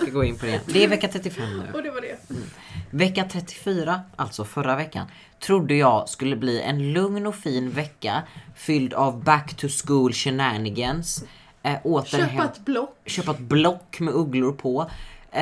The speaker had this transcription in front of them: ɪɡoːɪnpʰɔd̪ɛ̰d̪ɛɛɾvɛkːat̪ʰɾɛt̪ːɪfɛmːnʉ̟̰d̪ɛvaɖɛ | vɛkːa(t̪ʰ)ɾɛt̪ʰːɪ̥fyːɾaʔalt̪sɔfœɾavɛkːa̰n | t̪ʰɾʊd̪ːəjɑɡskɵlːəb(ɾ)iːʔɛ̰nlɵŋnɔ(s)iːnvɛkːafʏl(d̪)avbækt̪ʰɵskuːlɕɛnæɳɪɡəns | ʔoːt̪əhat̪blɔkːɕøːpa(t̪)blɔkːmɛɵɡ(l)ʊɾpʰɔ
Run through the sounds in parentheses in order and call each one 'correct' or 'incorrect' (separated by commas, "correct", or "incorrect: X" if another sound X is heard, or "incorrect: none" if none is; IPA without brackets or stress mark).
correct, incorrect: l, incorrect: f, correct, correct, correct